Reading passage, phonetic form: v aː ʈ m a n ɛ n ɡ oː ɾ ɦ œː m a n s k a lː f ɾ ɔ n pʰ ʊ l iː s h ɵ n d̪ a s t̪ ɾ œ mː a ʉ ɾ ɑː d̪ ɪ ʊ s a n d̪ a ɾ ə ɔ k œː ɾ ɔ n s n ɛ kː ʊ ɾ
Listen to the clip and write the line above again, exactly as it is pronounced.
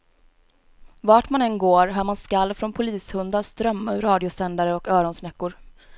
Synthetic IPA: v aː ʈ m a n ɛ n ɡ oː ɾ ɦ œː m a n s k a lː f ɾ ɔ n pʰ ʊ l iː s h ɵ n d̪ a s t̪ ɾ œ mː a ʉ ɾ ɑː d̪ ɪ ʊ s ɛ n d̪ a ɾ ə ɔ k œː ɾ ɔ n s n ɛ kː ʊ ɾ